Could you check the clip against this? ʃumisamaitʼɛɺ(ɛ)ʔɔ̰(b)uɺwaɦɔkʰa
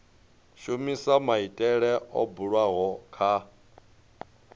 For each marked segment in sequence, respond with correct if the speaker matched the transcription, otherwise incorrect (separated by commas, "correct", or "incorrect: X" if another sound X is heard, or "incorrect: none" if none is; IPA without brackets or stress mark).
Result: correct, correct